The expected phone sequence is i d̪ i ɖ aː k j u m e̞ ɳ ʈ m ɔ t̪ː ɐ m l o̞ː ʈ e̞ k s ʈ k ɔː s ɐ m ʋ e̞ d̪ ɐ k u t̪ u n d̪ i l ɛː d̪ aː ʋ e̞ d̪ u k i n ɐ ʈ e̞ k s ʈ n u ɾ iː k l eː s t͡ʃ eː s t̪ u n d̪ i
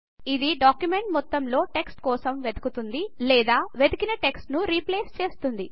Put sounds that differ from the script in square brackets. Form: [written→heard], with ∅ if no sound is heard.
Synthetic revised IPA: i d̪ i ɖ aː k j u m e̞ ɳ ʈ m ɔ t̪ː ɐ m l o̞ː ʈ e̞ k s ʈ k ɔː s ɐ m ʋ e̞ d̪ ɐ k u t̪ u n d̪ i l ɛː d̪ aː ʋ e̞ d̪ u k i n ɐ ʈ e̞ k s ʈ n u ɾ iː [k→p] l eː s t͡ʃ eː s t̪ u n d̪ i